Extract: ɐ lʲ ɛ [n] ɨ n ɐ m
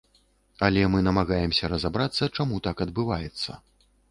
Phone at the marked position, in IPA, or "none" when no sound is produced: m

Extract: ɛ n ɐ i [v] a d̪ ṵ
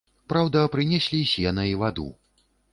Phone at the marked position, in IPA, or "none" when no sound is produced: v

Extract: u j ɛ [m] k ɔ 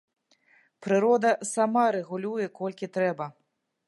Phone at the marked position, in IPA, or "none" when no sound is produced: none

